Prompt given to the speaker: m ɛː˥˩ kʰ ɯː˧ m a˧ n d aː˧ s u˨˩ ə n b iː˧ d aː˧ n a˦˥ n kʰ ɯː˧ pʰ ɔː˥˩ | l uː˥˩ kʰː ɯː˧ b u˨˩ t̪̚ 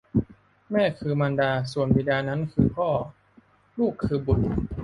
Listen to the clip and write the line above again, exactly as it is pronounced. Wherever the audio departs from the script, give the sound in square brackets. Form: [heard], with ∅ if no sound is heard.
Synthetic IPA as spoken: m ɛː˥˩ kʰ ɯː˧ m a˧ n d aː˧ s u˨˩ ə n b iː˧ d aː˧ n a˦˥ n kʰ ɯː˧ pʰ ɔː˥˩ | l uː˥˩ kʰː ɯː˧ b u˨˩ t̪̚